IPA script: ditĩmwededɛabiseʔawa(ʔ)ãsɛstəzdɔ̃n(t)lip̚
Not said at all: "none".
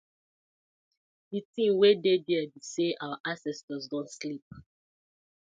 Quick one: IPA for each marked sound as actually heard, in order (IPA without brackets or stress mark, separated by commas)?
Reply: ʔ, s